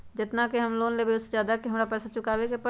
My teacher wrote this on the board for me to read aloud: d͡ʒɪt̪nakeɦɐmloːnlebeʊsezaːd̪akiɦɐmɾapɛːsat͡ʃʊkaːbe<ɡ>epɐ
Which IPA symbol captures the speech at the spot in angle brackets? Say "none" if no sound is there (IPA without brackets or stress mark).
k